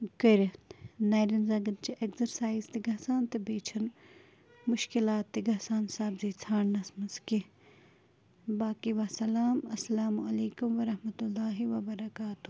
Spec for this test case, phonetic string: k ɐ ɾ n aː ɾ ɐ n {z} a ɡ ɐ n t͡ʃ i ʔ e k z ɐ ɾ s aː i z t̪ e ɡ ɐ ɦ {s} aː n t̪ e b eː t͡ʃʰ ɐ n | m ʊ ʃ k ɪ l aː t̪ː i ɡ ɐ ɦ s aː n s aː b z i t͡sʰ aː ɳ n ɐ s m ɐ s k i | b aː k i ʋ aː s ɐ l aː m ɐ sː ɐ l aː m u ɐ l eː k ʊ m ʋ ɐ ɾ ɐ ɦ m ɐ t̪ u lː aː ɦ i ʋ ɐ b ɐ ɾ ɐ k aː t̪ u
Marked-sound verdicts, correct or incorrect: correct, correct

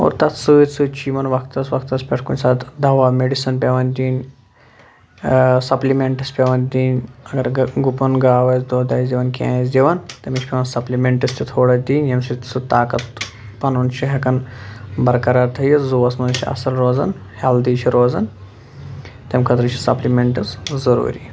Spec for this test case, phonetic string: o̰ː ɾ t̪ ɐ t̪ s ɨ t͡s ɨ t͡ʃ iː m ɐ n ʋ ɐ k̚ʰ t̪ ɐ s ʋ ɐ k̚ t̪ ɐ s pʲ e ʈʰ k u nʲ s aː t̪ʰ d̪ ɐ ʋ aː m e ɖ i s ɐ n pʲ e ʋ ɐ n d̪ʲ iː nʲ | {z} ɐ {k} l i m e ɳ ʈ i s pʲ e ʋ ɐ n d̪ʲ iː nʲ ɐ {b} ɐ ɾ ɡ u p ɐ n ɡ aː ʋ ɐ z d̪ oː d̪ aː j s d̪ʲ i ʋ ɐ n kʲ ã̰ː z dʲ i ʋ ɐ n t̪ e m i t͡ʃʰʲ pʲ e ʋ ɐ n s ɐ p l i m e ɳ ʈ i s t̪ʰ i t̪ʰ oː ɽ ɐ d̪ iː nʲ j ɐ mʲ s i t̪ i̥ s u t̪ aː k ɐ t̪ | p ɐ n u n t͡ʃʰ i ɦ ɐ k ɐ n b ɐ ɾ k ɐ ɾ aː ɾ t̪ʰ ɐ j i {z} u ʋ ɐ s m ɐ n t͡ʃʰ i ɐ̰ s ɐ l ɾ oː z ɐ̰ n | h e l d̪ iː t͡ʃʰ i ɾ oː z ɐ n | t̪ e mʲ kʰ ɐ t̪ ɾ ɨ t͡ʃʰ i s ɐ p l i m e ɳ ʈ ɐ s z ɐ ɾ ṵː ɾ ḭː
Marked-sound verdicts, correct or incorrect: incorrect: s, incorrect: p, incorrect: ɡ, correct

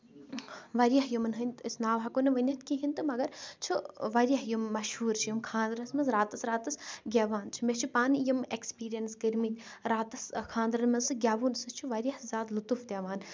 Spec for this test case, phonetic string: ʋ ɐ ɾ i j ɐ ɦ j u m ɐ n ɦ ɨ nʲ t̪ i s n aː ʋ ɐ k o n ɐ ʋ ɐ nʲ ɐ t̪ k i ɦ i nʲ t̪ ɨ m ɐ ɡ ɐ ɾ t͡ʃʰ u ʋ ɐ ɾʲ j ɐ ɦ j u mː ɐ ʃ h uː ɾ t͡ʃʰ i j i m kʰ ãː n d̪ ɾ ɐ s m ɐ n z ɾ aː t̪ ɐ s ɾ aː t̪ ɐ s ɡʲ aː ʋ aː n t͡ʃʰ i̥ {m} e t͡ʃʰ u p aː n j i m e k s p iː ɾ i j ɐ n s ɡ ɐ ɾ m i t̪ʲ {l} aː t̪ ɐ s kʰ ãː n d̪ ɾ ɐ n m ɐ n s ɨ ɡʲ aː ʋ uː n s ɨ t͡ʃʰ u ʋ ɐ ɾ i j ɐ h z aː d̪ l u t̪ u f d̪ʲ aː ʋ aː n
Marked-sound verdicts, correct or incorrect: correct, incorrect: ɾ

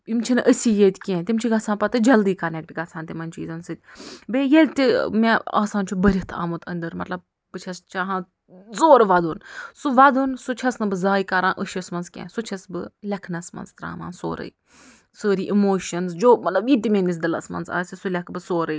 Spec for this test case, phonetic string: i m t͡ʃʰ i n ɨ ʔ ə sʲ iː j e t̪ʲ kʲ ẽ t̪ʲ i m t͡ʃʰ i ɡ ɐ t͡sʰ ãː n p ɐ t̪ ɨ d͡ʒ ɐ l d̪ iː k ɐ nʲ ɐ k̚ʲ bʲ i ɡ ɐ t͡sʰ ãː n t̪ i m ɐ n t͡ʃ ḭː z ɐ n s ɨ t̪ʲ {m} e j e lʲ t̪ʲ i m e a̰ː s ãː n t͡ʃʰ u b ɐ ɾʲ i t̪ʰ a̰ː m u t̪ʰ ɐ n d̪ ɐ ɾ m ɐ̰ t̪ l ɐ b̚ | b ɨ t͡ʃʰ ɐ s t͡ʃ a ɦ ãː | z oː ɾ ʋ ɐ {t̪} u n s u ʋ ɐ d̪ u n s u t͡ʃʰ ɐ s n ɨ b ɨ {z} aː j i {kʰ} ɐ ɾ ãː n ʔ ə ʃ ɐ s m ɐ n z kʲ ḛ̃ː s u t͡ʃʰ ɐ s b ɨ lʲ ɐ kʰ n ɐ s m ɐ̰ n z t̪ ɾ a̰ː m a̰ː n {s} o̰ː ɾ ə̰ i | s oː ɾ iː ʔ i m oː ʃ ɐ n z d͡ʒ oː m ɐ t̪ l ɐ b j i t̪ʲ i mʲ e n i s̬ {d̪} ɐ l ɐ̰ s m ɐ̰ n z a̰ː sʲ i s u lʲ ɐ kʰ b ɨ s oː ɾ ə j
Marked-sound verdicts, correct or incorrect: incorrect: b, incorrect: d̪, correct, incorrect: k, correct, correct

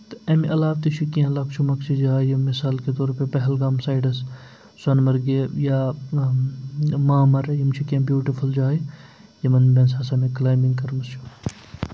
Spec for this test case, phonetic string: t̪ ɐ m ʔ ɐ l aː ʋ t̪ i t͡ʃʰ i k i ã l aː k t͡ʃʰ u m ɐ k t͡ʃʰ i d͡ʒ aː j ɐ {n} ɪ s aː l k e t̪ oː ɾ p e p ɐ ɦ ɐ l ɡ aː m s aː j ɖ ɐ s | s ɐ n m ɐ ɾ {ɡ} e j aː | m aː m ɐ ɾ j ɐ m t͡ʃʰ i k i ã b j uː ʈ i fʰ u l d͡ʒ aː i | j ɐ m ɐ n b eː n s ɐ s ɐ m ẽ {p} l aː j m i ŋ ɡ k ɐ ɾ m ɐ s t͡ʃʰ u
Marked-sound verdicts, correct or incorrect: incorrect: m, correct, incorrect: k

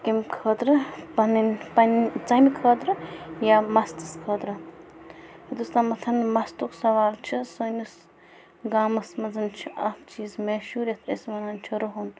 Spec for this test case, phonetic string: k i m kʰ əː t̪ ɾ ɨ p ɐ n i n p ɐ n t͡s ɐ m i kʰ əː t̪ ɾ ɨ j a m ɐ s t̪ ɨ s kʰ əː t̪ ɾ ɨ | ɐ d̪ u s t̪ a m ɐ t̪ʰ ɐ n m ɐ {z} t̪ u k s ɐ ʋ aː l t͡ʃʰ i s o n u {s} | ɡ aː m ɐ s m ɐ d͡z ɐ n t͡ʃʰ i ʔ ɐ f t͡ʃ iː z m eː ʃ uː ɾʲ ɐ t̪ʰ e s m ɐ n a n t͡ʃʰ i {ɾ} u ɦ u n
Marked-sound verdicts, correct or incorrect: incorrect: s, correct, correct

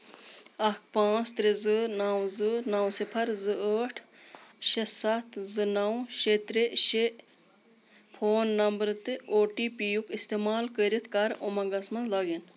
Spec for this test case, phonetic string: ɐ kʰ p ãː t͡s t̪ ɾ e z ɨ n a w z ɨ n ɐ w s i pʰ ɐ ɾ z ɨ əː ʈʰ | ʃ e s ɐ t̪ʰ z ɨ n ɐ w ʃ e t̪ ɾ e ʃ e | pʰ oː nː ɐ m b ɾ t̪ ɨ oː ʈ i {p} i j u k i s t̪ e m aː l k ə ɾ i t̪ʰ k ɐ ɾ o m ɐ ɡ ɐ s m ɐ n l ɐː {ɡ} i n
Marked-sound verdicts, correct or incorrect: correct, correct

